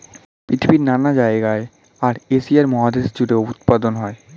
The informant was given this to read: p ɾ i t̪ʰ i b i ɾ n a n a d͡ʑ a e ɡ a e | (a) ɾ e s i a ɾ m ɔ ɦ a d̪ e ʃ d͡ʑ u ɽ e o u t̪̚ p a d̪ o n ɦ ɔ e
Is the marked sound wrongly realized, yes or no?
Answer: no